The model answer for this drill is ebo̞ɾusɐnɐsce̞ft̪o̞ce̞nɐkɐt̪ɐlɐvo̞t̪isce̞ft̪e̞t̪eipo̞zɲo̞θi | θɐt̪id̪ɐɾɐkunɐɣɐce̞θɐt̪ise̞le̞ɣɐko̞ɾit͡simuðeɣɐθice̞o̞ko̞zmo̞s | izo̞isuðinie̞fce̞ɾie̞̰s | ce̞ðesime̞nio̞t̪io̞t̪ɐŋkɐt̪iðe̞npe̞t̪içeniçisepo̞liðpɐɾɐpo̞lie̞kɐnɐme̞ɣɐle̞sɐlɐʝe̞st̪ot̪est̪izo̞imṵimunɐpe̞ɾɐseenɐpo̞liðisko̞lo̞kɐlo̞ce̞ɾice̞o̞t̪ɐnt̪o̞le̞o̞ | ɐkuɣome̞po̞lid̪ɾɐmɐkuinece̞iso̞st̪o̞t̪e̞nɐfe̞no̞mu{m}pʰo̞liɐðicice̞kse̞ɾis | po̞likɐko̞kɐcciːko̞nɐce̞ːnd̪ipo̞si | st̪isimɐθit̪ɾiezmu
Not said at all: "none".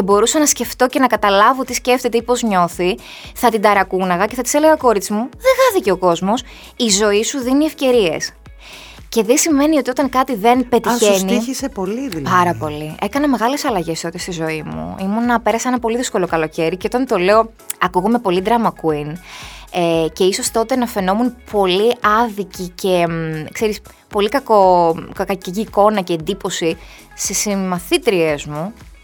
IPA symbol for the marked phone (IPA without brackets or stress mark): n